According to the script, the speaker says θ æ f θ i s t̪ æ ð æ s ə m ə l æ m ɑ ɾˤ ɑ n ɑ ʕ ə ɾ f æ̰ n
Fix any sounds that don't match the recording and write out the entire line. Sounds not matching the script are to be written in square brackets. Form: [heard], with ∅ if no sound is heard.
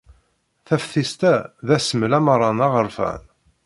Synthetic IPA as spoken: θ æ f θ i s t̪ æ ð æ s ə m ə l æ m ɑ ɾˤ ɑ n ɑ [ʁ] ə ɾ f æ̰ n